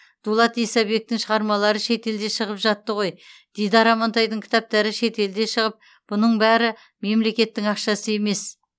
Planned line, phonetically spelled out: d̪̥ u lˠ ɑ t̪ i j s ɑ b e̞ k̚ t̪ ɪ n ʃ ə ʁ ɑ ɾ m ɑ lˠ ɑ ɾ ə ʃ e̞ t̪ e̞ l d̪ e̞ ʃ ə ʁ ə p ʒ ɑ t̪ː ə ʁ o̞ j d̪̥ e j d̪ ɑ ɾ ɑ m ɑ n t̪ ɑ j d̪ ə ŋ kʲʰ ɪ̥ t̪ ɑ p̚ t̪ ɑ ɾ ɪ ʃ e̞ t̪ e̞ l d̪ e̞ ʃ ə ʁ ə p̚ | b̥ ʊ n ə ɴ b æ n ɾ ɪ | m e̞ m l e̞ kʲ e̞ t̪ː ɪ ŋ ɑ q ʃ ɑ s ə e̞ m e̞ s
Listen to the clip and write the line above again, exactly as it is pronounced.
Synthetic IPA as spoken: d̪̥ u lˠ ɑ t̪ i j s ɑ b e̞ k̚ t̪ ɪ ŋ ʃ ə ʁ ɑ ɾ m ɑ lˠ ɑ ɾ ə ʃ e̞ t̪ e̞ l d̪ e̞ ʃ ə ʁ ə p ʒ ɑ t̪ː ə ʁ o̞ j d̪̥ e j d̪ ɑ ɾ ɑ m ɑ n t̪ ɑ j d̪ ə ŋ kʲʰ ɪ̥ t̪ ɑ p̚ t̪ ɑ ɾ ɪ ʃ e̞ t̪ e̞ l d̪ e̞ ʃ ə ʁ ə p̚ | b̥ ʊ n ə ɴ b æ ɾ ɪ | m e̞ m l e̞ kʲ e̞ t̪ː ɪ ŋ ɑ q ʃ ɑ s ə e̞ m e̞ s